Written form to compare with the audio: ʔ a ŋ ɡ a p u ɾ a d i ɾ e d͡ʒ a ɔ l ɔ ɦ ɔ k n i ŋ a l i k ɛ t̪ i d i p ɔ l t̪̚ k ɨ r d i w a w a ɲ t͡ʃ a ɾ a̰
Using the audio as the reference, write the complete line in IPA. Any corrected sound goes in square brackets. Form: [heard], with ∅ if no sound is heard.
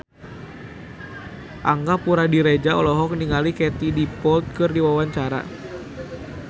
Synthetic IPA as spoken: ʔ a ŋ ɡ a p u ɾ a d i ɾ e d͡ʒ a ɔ l ɔ ɦ ɔ k n i ŋ a l i k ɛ t̪ i d i p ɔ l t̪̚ k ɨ r d i w a w a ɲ t͡ʃ a ɾ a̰